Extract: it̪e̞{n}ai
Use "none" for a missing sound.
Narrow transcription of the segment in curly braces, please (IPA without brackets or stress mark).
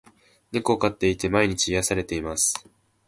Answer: m